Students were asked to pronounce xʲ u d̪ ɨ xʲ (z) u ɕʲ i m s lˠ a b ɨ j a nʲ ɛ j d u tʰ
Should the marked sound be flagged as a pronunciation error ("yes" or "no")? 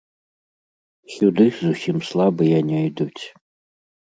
no